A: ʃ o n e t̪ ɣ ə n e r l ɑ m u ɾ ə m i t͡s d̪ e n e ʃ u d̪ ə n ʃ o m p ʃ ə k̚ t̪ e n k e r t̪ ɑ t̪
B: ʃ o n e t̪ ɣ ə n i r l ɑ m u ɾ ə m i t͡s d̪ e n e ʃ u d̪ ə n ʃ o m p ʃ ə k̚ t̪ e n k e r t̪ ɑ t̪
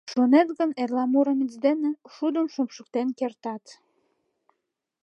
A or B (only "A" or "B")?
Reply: A